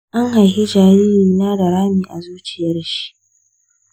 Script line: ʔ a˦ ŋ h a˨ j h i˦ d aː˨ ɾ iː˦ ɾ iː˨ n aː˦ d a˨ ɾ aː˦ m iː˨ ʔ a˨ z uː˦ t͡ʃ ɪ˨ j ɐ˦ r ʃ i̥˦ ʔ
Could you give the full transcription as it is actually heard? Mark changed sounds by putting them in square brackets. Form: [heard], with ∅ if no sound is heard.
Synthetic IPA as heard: ʔ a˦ ŋ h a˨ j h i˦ [d͡ʒ] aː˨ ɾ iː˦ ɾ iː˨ n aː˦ d a˨ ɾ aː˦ m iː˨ ʔ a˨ z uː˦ t͡ʃ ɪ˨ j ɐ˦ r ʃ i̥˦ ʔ